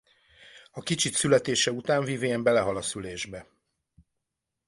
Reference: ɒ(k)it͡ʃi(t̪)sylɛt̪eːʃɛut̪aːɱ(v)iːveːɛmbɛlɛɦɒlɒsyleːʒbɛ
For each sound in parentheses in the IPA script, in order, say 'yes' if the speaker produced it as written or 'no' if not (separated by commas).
yes, yes, yes